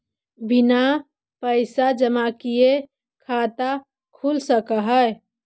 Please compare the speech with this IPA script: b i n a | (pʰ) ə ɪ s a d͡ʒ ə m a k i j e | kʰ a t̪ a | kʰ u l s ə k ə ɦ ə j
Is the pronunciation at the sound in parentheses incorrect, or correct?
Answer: incorrect